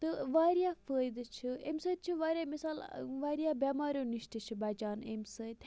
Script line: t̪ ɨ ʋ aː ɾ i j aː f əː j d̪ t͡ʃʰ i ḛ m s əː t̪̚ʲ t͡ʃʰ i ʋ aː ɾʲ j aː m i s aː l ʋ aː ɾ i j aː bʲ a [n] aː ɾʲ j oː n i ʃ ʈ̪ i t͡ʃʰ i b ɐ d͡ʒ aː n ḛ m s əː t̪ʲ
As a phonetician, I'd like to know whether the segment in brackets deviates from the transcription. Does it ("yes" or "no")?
yes